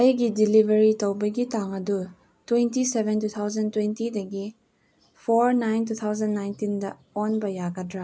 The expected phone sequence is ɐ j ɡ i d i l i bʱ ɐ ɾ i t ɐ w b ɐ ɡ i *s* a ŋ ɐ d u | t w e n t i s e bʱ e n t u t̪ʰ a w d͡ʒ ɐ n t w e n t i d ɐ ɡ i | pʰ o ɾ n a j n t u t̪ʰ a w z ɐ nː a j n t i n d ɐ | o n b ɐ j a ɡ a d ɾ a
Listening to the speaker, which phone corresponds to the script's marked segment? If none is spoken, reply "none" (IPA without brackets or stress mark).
t